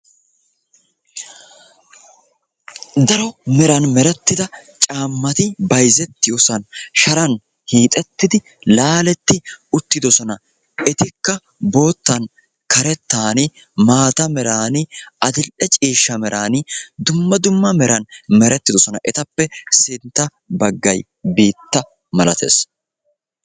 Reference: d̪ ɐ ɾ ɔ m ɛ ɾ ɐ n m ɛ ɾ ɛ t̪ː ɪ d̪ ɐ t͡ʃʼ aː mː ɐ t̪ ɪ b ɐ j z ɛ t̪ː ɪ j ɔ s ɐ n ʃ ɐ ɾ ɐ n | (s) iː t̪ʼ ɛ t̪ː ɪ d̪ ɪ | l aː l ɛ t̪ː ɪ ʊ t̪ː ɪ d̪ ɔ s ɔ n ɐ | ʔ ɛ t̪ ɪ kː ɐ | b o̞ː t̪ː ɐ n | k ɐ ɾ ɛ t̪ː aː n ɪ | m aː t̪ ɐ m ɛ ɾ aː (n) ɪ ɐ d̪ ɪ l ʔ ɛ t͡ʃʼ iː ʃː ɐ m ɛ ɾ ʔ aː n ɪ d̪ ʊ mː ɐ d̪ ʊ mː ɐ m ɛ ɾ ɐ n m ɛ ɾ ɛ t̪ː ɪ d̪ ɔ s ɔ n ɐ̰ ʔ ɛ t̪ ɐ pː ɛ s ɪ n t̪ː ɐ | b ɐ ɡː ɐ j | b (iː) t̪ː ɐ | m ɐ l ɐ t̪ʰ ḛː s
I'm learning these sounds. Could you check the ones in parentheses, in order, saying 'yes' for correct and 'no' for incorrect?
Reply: no, yes, yes

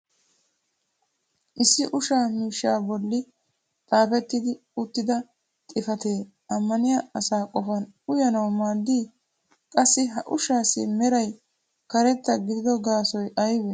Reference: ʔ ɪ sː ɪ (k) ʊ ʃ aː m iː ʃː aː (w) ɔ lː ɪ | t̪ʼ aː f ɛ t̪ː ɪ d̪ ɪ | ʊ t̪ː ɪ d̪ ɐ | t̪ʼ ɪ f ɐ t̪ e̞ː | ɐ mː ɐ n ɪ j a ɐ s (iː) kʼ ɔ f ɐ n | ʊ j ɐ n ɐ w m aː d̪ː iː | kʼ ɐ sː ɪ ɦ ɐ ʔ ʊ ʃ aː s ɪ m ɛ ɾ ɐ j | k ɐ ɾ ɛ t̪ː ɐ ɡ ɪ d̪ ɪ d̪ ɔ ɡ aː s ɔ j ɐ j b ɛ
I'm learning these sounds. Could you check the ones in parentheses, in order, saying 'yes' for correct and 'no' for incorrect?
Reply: no, no, no

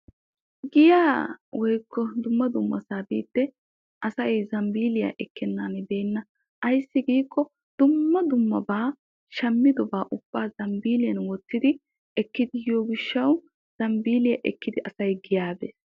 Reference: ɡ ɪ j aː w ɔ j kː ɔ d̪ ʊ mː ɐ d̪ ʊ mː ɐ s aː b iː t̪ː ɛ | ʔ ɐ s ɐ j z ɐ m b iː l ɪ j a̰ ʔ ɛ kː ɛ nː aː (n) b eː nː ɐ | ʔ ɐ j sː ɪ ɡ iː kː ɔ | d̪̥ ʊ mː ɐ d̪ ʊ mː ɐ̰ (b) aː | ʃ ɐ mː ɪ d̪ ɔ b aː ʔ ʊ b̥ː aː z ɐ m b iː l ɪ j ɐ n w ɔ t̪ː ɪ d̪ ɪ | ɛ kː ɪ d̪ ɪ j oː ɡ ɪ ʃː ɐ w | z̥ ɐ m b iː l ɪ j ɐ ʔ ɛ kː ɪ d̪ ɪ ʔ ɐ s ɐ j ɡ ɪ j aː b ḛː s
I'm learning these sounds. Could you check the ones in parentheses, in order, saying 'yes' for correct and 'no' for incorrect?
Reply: yes, yes

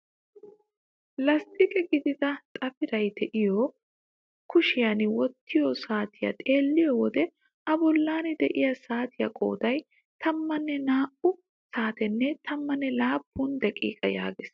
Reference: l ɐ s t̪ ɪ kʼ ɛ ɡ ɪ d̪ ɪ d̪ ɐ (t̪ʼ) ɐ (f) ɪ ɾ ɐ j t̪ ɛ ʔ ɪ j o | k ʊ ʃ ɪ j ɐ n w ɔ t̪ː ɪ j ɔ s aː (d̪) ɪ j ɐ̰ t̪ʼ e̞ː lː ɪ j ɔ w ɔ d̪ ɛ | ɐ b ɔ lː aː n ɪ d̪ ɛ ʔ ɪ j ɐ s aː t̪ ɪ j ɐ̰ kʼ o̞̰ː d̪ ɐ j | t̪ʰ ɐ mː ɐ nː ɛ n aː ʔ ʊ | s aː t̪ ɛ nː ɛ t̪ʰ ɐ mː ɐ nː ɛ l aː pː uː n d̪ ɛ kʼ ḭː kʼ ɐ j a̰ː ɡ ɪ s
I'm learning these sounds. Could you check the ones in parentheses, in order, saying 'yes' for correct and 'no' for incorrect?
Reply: yes, yes, no

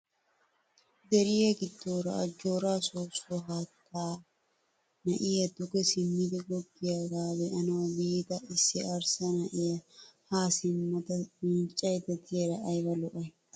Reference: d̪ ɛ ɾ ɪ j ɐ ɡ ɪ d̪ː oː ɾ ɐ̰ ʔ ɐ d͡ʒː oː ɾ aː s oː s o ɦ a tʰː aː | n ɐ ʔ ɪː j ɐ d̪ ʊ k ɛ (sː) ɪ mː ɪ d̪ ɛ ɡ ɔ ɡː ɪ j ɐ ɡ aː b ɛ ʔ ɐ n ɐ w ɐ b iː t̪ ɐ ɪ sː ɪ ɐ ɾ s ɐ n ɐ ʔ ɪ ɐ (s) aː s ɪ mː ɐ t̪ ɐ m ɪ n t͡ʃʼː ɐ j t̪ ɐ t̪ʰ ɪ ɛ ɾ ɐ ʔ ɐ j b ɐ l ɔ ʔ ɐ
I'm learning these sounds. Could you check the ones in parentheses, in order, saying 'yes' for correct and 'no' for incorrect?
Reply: no, no

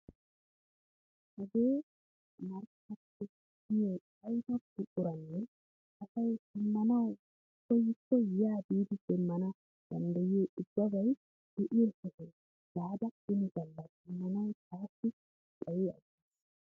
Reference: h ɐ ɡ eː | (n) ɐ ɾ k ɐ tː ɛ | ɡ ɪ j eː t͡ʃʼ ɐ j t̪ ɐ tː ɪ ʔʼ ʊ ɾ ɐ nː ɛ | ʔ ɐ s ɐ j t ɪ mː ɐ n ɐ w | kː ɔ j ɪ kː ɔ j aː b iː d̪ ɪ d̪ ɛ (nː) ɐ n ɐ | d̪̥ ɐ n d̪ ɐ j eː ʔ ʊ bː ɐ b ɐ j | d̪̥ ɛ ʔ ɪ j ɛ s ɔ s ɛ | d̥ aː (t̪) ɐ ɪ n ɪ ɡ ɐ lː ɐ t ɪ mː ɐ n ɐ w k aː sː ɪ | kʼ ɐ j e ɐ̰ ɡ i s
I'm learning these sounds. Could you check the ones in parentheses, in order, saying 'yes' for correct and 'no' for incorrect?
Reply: no, no, no

